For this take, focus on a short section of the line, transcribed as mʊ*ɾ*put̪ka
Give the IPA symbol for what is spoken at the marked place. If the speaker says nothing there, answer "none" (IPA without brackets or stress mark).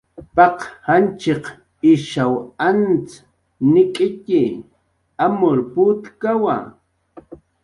ɾ